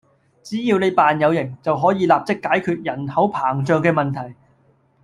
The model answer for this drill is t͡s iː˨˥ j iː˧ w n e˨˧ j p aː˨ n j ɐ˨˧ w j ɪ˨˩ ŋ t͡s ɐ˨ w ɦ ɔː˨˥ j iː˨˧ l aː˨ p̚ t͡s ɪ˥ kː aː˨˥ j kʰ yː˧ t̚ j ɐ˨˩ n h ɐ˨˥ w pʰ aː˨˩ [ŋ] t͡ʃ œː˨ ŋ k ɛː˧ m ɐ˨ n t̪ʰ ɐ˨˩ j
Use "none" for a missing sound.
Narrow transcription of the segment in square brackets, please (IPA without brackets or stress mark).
ŋ